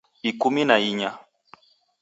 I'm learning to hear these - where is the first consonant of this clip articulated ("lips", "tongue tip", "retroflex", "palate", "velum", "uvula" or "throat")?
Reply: velum